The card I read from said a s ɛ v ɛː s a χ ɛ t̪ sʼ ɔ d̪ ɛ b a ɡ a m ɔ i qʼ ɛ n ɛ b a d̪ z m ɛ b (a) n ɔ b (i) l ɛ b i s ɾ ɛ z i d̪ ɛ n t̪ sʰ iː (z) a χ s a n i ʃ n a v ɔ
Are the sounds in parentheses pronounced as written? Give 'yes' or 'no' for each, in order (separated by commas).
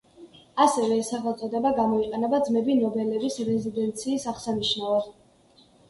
no, no, no